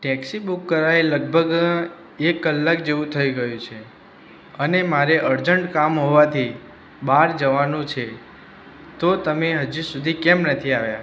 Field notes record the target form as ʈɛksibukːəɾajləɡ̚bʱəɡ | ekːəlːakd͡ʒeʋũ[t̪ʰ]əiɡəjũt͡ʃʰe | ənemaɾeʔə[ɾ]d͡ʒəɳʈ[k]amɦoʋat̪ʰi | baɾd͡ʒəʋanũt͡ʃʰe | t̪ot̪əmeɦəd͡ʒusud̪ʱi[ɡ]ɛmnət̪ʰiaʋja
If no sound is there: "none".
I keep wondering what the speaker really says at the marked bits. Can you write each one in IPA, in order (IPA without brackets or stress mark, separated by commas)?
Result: t̪ʰ, ɾ, k, k